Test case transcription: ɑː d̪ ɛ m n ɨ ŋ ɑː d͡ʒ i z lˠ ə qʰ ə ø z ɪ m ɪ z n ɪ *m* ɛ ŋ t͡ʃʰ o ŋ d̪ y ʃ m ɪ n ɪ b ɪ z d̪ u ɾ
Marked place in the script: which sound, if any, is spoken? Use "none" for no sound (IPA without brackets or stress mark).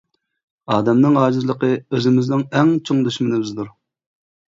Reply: ŋ